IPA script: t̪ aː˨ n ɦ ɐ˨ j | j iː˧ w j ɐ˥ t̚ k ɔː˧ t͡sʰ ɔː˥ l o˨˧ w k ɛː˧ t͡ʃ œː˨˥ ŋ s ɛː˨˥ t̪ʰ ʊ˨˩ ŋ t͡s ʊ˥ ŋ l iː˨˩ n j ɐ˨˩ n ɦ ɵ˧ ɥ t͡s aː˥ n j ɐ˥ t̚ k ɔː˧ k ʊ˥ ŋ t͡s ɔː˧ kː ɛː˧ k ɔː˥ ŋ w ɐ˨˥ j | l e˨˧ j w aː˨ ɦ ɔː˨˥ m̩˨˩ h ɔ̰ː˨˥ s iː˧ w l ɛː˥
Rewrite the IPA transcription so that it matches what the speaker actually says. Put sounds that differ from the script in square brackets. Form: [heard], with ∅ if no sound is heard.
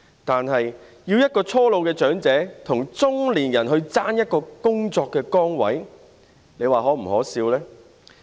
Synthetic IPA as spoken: t̪ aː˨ n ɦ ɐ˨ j | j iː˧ w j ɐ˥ t̚ k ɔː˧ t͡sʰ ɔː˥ l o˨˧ w k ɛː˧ t͡ʃ œː˨˥ ŋ [t͡s] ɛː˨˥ t̪ʰ ʊ˨˩ ŋ t͡s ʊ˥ ŋ l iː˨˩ n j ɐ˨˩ n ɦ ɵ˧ ɥ t͡s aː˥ n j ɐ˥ t̚ k ɔː˧ k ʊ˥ ŋ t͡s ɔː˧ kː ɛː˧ k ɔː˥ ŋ w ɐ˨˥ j | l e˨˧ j w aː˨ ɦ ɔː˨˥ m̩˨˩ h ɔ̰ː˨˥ s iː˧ w l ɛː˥